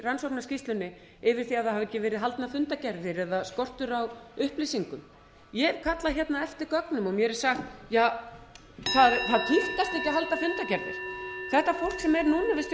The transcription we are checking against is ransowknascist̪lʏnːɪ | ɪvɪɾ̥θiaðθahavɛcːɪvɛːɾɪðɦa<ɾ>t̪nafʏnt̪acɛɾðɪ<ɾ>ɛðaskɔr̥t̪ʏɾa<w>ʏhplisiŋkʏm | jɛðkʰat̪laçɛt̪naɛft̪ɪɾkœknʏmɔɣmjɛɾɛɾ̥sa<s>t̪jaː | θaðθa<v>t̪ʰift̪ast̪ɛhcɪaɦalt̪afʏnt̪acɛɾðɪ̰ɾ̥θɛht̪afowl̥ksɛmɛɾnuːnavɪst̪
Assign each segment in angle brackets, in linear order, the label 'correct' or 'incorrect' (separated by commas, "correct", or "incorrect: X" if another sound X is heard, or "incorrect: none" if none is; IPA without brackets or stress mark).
incorrect: l, correct, correct, incorrect: x, incorrect: ð